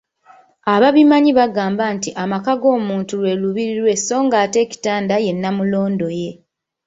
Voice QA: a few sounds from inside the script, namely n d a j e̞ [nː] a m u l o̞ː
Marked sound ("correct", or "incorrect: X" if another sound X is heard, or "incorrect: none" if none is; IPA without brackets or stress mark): correct